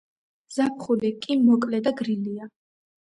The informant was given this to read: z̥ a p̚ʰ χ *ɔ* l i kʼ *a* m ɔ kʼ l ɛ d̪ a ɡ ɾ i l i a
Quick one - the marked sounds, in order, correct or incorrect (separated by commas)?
incorrect, incorrect